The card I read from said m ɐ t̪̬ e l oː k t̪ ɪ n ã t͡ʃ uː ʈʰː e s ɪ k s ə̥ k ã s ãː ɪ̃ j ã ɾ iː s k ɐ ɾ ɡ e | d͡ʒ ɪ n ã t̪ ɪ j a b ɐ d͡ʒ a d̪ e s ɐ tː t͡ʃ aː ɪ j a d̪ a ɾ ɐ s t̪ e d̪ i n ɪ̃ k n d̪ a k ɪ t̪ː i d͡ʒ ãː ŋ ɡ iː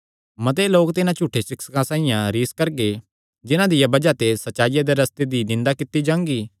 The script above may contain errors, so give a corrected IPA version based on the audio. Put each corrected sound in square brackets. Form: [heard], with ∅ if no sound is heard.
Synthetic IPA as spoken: m ɐ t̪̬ e l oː k t̪ ɪ n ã t͡ʃ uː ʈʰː e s ɪ k s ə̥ k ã s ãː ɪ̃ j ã ɾ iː s k ɐ ɾ ɡ e | d͡ʒ ɪ n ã [d̪] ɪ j a b ɐ d͡ʒ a [t̪] e s ɐ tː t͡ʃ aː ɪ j a d̪ [e] ɾ ɐ s t̪ e d̪ i n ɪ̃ [∅] n d̪ a k ɪ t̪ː i d͡ʒ ãː ŋ ɡ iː